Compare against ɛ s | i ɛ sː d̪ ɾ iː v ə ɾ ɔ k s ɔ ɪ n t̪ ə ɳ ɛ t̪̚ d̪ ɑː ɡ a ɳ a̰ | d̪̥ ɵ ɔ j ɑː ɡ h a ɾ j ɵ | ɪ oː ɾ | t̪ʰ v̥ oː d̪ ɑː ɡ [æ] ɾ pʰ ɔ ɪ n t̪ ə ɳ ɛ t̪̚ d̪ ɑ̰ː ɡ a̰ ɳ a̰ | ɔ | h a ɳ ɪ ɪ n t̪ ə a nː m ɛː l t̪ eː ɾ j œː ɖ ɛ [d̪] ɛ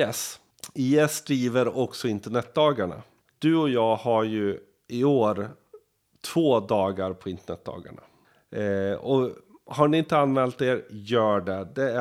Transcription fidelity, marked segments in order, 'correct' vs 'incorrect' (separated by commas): incorrect, correct